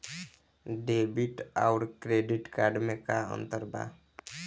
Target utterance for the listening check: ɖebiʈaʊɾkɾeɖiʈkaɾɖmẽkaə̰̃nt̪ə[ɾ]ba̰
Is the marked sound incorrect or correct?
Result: correct